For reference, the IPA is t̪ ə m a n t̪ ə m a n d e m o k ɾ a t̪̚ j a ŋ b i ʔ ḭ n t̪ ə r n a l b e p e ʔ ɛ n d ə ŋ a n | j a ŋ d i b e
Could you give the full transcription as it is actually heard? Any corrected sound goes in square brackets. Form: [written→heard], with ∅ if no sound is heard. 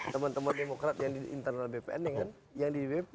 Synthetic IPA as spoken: t̪ ə m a n t̪ ə m a n d e m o k ɾ a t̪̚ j a ŋ [b→d] i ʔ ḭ n t̪ ə r n a l b e p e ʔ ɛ n d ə ŋ a n | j a ŋ d i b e

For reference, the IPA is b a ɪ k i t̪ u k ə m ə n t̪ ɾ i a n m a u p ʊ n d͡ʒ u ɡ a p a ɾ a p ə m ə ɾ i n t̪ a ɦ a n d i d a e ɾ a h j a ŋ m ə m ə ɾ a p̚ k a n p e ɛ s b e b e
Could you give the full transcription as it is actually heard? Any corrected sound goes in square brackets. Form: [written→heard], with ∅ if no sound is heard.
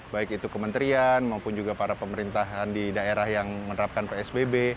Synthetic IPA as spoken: b a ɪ k i t̪ u k ə m ə n t̪ ɾ i a n m a u p ʊ n d͡ʒ u ɡ a p a ɾ a p ə m ə ɾ i n t̪ a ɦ a n d i d a e ɾ a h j a ŋ m ə [m→n] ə ɾ a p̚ k a n p e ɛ s b e b e

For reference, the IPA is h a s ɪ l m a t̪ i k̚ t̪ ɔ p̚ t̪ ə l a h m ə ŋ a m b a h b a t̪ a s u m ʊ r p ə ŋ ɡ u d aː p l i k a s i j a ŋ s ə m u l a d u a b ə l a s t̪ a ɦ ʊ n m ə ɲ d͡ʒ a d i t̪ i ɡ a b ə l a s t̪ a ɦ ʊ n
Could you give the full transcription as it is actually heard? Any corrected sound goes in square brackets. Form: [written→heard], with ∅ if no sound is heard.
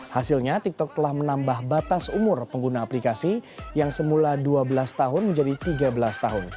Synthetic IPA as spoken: h a s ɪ l [m→ɲ] a t̪ i k̚ t̪ ɔ [p̚→k̚] t̪ ə l a h m ə [ŋ→n] a m b a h b a t̪ a s u m ʊ r p ə ŋ ɡ u [d→n] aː p l i k a s i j a ŋ s ə m u l a d u a b ə l a s t̪ a ɦ ʊ n m ə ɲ d͡ʒ a d i t̪ i ɡ a b ə l a s t̪ a ɦ ʊ n

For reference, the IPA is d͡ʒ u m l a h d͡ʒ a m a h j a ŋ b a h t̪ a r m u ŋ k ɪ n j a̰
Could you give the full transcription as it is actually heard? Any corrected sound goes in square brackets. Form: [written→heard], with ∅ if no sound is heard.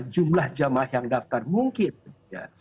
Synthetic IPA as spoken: d͡ʒ u m l a h d͡ʒ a m a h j a ŋ [b→d] a [h→f] t̪ a r m u ŋ k ɪ n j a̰

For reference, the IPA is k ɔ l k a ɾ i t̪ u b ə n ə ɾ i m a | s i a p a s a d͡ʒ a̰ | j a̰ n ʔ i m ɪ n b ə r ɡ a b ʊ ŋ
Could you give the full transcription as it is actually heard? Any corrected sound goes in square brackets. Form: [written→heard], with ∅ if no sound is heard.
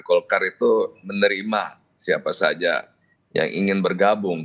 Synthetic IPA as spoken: k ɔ l k a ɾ i t̪ u [b→m] ə n ə ɾ i m a | s i a p a s a d͡ʒ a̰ | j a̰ [n→ŋ] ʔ i [m→ŋ] ɪ n b ə r ɡ a b ʊ ŋ

